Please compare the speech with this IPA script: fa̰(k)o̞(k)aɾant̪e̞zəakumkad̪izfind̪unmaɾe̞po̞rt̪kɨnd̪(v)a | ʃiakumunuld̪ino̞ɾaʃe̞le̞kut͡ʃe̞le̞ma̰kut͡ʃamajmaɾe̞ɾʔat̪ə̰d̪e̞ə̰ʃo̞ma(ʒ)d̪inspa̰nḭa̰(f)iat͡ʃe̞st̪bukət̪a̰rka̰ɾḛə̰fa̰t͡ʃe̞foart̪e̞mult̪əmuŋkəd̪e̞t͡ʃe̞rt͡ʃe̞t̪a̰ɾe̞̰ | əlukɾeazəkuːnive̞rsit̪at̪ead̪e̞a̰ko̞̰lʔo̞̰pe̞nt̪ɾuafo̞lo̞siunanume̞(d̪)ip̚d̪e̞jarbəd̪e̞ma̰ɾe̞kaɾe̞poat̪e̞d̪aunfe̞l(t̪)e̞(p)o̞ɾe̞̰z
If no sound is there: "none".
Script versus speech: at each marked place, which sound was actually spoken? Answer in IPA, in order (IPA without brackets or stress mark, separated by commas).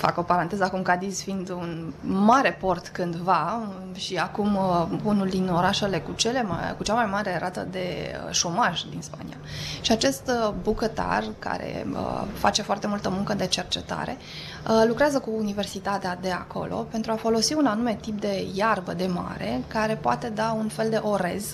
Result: k, p, v, ʒ, ʃ, t̪, d̪, ʔ